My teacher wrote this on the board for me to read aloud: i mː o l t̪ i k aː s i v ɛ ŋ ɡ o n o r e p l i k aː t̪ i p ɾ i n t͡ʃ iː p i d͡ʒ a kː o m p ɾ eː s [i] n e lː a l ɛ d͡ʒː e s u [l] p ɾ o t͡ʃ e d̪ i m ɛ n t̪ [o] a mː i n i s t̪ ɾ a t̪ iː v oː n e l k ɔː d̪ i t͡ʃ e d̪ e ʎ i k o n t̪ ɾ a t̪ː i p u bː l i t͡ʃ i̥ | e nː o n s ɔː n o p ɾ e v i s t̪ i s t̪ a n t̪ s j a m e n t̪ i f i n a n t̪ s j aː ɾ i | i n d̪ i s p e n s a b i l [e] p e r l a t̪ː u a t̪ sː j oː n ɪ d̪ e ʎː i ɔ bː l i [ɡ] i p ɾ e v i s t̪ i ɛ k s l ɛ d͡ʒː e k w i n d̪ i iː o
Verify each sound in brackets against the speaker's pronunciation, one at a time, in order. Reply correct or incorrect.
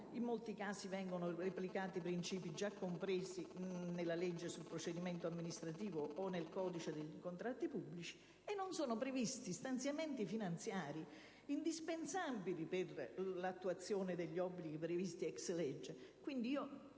correct, correct, correct, incorrect: i, correct

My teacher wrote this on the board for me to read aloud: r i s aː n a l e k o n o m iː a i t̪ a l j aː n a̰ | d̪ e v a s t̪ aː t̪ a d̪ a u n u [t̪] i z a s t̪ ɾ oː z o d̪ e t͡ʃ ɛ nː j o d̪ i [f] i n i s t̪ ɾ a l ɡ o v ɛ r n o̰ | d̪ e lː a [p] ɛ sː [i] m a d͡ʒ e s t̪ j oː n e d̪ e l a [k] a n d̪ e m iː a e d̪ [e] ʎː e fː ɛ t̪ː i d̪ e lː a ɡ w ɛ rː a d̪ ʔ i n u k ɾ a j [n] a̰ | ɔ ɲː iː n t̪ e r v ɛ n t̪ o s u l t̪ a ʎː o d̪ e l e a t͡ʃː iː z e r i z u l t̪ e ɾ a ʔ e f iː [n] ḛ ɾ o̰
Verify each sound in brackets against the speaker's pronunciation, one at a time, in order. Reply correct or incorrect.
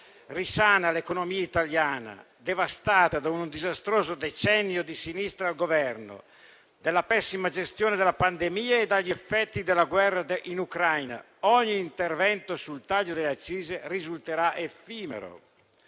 incorrect: d̪, incorrect: s, correct, correct, incorrect: p, incorrect: a, correct, incorrect: m

